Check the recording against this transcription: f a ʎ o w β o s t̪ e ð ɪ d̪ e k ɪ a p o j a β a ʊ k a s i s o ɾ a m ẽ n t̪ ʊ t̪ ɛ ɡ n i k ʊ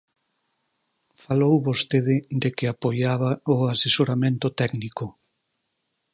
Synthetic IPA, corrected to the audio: f a l o w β o s t̪ e ð ɪ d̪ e k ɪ a p o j a β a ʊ a s e s o ɾ a m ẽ n t̪ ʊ t̪ ɛ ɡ n i k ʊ

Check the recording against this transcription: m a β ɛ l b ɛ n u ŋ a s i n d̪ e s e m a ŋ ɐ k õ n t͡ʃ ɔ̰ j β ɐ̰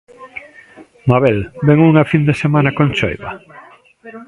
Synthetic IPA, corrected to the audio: m a β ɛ l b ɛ ŋ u ŋ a f i n d̪ e s e m a n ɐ k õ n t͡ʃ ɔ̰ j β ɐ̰

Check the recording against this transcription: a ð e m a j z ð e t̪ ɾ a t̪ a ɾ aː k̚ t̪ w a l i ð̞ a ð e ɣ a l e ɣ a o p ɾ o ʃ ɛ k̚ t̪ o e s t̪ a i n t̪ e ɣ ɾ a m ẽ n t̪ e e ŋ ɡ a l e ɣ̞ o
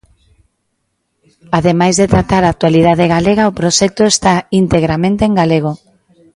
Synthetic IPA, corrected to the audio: a ð e m a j z ð e t̪ ɾ a t̪ a ɾ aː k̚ t̪ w a l i ð̞ a ð e ɣ a l e ɣ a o p ɾ o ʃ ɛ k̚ t̪ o e s t̪ a i n t̪ e ɣ ɾ a m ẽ n t̪ e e ŋ ɡ a l e ɣ̞ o

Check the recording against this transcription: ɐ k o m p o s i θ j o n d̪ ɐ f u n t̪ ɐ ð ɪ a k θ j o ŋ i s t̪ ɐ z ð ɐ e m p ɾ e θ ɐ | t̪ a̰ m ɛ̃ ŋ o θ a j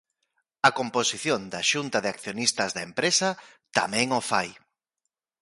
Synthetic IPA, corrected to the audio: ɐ k o m p o s i θ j o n d̪ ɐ ʃ u n t̪ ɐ ð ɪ a k θ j o n i s t̪ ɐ z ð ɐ e m p ɾ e s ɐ | t̪ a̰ m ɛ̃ ŋ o f a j

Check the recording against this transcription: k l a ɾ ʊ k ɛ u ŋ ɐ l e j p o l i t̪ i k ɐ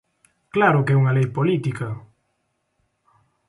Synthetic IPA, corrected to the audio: k l a ɾ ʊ k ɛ u ŋ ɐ l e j p o l i t̪ i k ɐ

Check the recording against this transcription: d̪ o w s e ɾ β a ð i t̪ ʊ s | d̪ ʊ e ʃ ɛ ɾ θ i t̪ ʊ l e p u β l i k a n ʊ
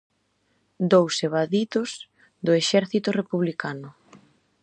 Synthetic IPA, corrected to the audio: d̪ o w s e β a ð i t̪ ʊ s | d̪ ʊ e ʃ ɛ ɾ θ i t̪ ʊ r e p u β l i k a n ʊ

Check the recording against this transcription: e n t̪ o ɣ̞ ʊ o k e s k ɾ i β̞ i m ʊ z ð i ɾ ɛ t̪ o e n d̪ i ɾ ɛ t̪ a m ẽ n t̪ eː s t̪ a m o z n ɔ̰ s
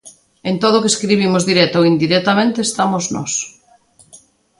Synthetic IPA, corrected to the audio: e n t̪ o ð̞ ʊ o k e s k ɾ i β̞ i m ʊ z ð i ɾ ɛ t̪ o i n d̪ i ɾ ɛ t̪ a m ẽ n t̪ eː s t̪ a m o z n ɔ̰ s

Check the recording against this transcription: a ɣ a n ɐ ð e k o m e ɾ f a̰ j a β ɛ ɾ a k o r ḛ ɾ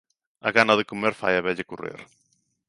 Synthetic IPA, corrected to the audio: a ɣ a n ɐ ð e k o m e ɾ f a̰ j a β ɛ ʎ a k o r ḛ ɾ

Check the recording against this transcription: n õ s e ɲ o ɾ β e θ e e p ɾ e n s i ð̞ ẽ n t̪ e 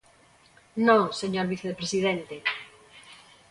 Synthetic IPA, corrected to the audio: n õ s e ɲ o ɾ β i θ e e p ɾ e s i ð̞ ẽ n t̪ e

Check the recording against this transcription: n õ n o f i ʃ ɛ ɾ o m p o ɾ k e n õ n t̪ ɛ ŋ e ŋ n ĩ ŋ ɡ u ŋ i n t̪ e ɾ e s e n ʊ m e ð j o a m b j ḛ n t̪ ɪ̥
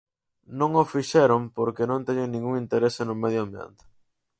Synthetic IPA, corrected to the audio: n õ ŋ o f i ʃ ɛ ɾ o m p o ɾ k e n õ n t̪ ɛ ɲ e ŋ n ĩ ŋ ɡ u ŋ i n t̪ e ɾ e s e n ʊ m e ð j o a m b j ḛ n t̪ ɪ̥

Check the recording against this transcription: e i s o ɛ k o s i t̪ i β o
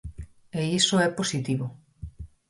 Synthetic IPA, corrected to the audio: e i s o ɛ p o s i t̪ i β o

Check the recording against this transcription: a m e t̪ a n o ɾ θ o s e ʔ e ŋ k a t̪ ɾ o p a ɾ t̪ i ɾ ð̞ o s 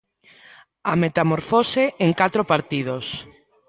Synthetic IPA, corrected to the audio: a m e t̪ a m o ɾ f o s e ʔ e ŋ k a t̪ ɾ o p a ɾ t̪ i ð̞ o s

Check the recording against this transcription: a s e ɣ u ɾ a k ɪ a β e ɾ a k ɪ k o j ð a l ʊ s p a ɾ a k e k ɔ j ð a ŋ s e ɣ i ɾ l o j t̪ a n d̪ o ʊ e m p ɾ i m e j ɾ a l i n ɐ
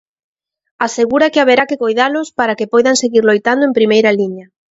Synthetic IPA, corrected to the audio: a s e ɣ u ɾ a k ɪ a β e ɾ a k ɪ k o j ð a l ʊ s p a ɾ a k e p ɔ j ð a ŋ s e ɣ i ɾ l o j t̪ a n d̪ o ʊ e m p ɾ i m e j ɾ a l i ɲ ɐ

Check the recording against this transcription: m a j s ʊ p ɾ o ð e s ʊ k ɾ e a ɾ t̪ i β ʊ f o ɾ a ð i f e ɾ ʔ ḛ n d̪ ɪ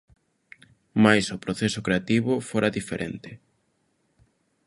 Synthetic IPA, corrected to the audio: m a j s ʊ p ɾ o θ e s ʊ k ɾ e a t̪ i β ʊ f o ɾ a ð i f e ɾ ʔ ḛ n t̪ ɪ

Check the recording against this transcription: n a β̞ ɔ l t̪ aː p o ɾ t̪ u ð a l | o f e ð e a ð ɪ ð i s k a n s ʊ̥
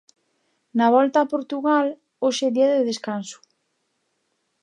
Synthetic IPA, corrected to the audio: n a β̞ ɔ l t̪ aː p o ɾ t̪ u ɣ a l | o ʃ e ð i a ð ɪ ð e s k a n s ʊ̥

